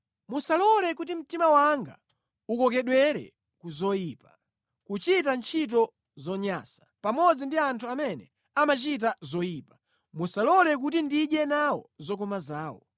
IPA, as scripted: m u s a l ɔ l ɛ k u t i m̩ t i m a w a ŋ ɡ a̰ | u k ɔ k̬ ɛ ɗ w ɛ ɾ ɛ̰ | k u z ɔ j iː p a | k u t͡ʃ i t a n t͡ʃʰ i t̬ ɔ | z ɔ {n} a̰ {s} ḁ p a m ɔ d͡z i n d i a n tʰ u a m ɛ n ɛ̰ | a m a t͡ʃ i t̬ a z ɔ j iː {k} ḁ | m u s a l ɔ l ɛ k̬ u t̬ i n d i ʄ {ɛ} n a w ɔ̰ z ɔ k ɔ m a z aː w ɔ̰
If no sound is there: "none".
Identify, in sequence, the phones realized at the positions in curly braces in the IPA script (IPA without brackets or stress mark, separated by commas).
ɲ, s, p, ɛ